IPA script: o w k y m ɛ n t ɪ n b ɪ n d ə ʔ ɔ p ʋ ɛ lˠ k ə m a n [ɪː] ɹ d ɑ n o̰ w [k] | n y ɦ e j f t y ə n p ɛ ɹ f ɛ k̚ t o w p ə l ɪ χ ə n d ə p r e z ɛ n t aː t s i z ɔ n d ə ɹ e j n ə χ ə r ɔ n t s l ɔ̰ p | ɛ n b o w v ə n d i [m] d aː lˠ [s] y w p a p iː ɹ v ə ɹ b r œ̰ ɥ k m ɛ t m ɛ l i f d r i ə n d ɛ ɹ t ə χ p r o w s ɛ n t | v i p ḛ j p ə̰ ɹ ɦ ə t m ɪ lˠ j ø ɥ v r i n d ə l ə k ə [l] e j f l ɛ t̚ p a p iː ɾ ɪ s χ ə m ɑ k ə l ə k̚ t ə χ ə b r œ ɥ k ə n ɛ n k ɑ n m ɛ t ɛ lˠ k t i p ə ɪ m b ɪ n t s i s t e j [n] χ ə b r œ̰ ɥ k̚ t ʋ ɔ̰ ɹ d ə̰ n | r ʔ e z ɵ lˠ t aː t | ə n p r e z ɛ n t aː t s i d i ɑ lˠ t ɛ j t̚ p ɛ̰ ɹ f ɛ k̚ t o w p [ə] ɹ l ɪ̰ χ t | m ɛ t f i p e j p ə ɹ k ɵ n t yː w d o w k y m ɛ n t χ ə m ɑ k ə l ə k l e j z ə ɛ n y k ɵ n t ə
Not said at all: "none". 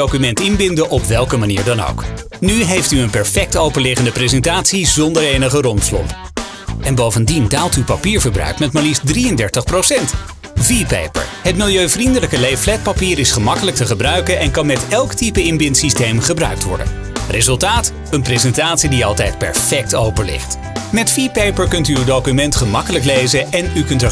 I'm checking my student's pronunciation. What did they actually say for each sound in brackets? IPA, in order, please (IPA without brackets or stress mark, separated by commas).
iː, k, n, t, l, m, ə